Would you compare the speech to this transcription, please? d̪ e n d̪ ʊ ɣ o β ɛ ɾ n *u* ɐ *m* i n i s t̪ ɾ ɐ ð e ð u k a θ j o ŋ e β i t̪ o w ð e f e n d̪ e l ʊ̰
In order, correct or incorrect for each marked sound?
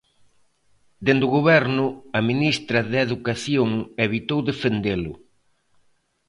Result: incorrect: ʊ, correct

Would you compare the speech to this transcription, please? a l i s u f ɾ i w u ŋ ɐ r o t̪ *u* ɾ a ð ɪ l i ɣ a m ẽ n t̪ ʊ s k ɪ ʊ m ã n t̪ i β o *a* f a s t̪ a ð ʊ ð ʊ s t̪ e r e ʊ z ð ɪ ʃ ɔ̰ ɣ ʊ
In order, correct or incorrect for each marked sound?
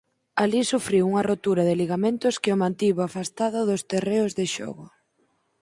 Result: correct, correct

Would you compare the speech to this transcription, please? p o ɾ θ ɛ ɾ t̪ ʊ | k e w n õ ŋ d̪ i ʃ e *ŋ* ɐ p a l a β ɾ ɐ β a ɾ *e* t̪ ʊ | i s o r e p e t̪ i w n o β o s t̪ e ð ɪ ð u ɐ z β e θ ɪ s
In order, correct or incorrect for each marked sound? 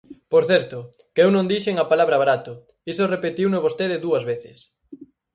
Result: correct, incorrect: a

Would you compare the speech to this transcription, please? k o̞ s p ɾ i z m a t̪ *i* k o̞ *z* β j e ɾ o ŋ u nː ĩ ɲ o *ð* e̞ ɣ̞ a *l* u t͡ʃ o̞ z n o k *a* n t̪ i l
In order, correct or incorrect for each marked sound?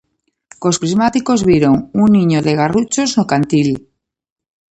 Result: correct, correct, correct, incorrect: r, correct

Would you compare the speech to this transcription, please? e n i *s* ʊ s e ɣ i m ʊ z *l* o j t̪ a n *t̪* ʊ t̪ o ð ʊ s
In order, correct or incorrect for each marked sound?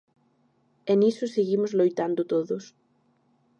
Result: correct, correct, incorrect: d̪

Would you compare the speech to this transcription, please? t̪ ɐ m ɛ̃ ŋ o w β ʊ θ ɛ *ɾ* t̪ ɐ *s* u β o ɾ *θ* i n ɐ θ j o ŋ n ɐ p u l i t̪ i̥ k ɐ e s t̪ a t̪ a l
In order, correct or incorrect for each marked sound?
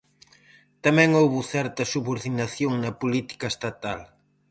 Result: correct, correct, incorrect: ð

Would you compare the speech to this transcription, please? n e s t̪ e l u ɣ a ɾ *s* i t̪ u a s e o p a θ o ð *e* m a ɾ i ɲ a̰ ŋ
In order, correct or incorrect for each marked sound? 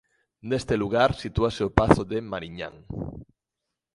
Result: correct, correct

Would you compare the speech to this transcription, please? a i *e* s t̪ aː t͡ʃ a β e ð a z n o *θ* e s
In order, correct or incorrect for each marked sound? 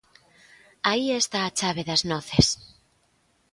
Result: correct, correct

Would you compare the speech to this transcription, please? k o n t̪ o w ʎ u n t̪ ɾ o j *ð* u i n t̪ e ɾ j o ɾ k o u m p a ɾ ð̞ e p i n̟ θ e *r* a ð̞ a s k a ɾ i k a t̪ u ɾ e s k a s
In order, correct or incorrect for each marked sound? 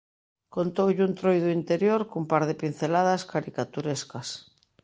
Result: correct, incorrect: l

